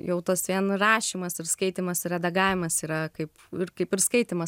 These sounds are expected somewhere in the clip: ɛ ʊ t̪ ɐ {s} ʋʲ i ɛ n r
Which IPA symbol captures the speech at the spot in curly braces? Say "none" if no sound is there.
s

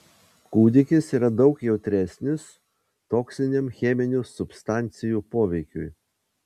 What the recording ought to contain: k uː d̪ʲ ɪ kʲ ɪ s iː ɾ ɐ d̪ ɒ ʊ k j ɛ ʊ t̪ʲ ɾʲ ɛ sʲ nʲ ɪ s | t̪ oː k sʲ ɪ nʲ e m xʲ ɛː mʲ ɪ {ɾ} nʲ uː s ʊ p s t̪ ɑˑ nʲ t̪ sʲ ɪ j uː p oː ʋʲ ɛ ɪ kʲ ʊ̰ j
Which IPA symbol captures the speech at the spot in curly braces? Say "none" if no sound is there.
none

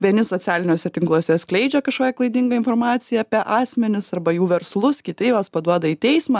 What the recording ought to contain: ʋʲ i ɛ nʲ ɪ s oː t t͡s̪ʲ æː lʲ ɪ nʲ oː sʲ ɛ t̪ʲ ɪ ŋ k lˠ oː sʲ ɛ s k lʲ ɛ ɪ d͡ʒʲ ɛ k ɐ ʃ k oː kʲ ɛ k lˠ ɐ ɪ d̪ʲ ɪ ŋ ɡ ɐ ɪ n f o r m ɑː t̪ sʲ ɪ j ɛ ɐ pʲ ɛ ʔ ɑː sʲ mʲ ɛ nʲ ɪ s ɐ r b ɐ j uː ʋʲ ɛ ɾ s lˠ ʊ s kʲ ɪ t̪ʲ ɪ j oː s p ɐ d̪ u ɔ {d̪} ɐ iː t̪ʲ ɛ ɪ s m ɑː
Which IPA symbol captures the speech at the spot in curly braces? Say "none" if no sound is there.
d̪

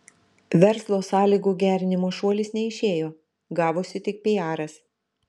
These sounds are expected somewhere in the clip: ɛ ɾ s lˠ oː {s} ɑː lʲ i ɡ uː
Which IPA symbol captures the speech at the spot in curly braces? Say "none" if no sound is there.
s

